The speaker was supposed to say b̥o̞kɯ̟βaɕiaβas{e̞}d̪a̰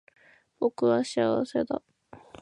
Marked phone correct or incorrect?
correct